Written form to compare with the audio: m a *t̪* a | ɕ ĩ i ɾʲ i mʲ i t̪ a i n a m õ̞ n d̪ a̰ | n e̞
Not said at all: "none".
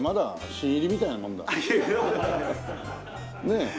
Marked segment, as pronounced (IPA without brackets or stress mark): d̪